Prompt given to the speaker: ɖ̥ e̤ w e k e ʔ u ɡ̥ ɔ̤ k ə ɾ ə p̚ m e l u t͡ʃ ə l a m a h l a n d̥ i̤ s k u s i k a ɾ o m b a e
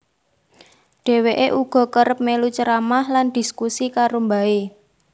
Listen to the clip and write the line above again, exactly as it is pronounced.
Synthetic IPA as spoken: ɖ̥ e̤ w e ʔ e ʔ u ɡ̥ ɔ̤ k ə ɾ ə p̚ m e l u t͡ʃ ə ɾ a m a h l a n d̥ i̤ s k u s i k a ɾ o m b a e

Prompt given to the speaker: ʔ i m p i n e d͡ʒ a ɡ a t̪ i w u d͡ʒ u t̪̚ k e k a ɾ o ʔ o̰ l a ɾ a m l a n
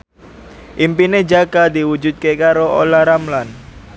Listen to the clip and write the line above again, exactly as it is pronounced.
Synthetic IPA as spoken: ʔ i m p i n e d͡ʒ a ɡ a d̪ i w u d͡ʒ u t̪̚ k e k a ɾ o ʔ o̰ l a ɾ a m l a n

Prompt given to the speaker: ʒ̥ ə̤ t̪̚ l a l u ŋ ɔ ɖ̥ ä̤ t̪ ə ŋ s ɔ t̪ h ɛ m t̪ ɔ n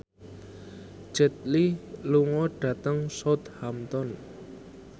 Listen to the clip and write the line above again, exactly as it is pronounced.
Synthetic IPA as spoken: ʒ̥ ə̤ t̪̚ l i l u ŋ ɔ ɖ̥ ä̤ t̪ ə ŋ s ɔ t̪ h a m t̪ ɔ n

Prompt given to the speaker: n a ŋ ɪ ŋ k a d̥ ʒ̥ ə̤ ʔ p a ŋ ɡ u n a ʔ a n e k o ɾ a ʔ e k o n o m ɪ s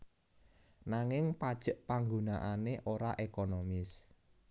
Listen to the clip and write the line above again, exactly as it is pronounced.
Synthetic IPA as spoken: n a ŋ ɪ ŋ p a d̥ ʒ̥ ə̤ ʔ p a ŋ ɡ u n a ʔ a n e ʔ o ɾ a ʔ e k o n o m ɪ s

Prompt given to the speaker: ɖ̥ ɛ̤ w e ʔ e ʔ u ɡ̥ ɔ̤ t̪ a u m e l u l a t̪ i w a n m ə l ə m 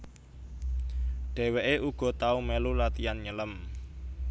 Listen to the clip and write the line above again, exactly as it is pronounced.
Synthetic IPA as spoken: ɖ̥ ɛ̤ w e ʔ e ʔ u ɡ̥ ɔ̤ t̪ a u m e l u l a t̪ i a n ɲ ə l ə m

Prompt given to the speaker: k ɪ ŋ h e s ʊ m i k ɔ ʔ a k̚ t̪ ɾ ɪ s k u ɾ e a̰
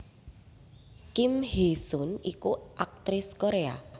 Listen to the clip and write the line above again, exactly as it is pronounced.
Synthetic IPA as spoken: k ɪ m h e s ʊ n i k u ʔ a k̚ t̪ ɾ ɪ s k o ɾ e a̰

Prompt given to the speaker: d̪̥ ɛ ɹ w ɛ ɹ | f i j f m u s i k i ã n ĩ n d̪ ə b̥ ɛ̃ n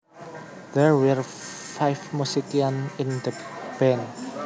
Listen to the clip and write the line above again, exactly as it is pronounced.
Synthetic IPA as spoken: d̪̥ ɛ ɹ w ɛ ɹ | f a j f m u s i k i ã n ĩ n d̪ ə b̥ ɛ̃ n

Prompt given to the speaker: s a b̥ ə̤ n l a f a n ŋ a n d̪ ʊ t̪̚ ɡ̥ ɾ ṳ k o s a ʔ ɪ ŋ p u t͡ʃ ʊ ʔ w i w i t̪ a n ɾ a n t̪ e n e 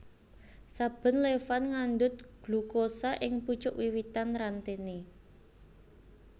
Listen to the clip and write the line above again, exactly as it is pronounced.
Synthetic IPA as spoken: s a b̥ ə̤ n l e f a n ŋ a n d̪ ʊ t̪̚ ɡ̥ l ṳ k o s a ʔ ɪ ŋ p u t͡ʃ ʊ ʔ w i w i t̪ a n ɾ a n t̪ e n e

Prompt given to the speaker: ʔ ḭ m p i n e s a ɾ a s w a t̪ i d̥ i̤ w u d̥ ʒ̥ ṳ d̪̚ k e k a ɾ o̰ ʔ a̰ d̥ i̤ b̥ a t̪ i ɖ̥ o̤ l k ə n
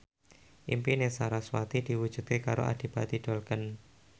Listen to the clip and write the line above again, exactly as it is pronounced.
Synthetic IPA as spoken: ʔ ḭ m p i n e s a ɾ a s w a t̪ i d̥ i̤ w u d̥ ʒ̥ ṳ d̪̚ k e k a ɾ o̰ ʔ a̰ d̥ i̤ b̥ a t̪ i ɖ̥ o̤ l k ə n

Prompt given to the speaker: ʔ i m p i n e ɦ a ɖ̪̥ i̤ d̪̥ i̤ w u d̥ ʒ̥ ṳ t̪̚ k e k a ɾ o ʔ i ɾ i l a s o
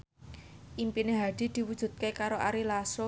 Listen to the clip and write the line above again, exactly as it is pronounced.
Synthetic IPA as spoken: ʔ i m p i n e ɦ a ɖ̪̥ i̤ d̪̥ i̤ w u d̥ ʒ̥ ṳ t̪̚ k e k a ɾ o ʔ a ɾ i l a s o

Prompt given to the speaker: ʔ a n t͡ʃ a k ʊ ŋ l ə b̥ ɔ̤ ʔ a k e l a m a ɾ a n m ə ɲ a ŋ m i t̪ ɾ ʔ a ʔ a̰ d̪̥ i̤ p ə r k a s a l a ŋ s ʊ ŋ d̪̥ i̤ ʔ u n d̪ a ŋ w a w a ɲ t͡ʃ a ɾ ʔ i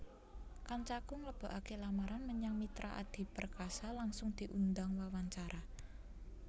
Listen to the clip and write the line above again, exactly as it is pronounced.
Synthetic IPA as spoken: k a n t͡ʃ a k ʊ ŋ l ə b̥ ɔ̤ ʔ a k e l a m a ɾ a n m ə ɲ a ŋ m i t̪ ɾ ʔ a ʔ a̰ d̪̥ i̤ p ə r k a s a l a ŋ s ʊ ŋ d̪̥ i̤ ʔ u n d̪ a ŋ w a w a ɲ t͡ʃ a ɾ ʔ a

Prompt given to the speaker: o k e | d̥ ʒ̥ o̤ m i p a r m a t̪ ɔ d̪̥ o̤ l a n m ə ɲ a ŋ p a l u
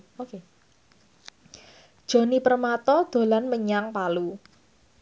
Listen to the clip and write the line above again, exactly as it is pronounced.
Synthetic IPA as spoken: o k e | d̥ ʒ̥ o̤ n i p ə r m a t̪ ɔ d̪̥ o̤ l a n m ə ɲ a ŋ p a l u

